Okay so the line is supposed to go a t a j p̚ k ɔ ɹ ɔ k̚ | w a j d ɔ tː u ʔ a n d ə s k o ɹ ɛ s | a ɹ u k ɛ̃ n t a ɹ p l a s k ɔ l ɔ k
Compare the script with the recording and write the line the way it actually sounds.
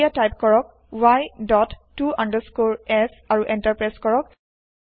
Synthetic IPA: a t a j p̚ k ɔ ɹ ɔ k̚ | w a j d ɔ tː u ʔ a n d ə s k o ɹ ɛ s | a ɹ u ʔ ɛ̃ n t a ɹ p ɹ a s k ɔ ɹ ɔ k